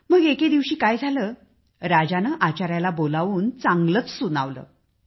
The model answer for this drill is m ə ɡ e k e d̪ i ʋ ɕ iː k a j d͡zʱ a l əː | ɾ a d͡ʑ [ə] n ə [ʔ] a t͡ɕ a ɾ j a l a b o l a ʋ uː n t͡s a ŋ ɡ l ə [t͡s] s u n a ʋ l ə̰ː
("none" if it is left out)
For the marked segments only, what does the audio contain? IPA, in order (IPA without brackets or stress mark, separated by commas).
a, ʔ, t͡s